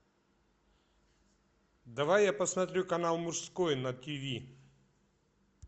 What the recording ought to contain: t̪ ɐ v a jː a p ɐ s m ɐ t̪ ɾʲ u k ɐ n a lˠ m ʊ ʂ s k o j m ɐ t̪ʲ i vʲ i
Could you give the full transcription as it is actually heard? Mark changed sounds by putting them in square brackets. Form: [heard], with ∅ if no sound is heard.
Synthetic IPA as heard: [d̪] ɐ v a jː a p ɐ s m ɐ t̪ ɾʲ u k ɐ n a lˠ m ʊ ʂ s k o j [n] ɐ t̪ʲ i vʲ i